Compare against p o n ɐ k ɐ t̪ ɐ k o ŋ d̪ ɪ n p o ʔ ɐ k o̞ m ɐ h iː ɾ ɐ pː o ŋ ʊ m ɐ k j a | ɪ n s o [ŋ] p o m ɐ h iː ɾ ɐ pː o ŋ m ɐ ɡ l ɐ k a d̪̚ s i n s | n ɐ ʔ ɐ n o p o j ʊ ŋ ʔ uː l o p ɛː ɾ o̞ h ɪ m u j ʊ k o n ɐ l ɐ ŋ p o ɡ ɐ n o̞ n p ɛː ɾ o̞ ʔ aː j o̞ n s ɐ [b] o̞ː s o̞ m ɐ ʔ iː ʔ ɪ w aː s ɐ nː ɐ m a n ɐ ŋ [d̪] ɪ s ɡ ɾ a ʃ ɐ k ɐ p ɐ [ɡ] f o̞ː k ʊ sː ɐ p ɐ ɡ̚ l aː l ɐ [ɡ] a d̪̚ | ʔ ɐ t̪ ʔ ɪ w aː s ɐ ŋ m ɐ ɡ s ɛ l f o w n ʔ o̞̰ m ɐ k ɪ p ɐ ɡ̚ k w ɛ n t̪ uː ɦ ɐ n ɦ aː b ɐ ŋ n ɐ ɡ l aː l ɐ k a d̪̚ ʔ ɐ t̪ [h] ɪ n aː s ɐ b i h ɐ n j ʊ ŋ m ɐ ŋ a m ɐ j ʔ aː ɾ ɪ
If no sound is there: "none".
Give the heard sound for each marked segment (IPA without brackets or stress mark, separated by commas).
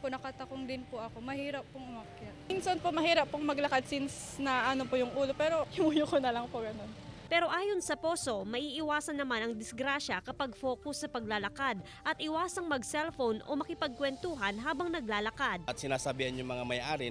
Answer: n, p, d̪, ɡ, k, s